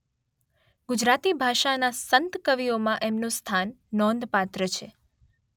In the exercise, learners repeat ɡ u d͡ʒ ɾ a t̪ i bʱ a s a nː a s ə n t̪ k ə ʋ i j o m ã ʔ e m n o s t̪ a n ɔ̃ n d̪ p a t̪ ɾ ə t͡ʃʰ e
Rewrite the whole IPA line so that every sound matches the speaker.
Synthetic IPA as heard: ɡ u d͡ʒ ɾ a t̪ i bʱ a ʃ a n a s ə n t̪ k ə ʋ i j o m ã ʔ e m n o s t̪ʰ a nː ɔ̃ n d̪ p a t̪ ɾ ə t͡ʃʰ e

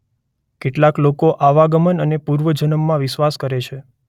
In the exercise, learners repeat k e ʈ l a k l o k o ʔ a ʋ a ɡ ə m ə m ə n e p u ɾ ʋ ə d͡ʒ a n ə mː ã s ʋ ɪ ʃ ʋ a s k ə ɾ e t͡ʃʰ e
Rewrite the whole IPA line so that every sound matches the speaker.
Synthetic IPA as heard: k e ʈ l a k l o k o ʔ a ʋ a ɡ ə m ə n ə n e p u ɾ ʋ ə d͡ʒ ə n ə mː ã ʋ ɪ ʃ ʋ a s k ə ɾ e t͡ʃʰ e

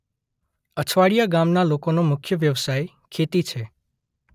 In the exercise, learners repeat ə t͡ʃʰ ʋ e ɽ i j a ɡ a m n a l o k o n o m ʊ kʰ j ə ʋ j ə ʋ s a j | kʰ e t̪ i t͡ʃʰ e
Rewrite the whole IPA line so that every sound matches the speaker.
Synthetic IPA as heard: ə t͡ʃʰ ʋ a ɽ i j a ɡ a m n a l o k o n o m ʊ kʰ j ə ʋ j ə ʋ s a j | kʰ e t̪ i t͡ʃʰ e

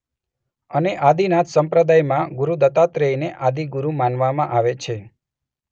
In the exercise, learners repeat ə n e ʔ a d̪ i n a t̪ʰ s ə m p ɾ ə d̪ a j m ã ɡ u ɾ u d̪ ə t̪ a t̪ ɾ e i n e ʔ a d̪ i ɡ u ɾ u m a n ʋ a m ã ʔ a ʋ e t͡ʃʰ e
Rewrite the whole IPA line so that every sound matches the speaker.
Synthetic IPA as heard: ə n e ʔ a d̪ i n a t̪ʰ s ə m p ɾ ə d̪ a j m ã ɡ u ɾ u d̪ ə t̪ a t̪ ɾ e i n e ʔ a d̪ i ɡ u ɾ u m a n ʋ a m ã ʔ a ʋ e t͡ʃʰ e

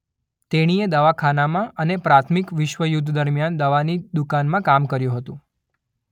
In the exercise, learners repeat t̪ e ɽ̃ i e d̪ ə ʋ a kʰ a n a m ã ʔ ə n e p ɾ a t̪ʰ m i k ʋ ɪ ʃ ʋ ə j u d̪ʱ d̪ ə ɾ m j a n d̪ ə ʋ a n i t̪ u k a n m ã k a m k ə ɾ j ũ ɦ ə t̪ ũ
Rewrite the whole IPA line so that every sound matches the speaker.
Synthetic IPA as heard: t̪ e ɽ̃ i e d̪ ə ʋ a kʰ a n a m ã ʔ ə n e p ɾ a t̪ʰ m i k ʋ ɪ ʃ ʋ ə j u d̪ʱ d̪ ə ɾ m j a n d̪ ə ʋ a n i d̪ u k a n m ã k a m k ə ɾ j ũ ɦ ə t̪ ũ

